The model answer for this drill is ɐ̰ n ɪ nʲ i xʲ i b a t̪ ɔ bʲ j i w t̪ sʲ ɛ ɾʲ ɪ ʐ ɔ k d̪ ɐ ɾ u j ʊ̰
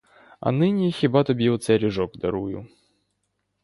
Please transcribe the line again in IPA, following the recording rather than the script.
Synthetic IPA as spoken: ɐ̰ n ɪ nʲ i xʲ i b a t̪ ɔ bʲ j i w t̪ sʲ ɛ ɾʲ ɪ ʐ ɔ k d̪ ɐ ɾ u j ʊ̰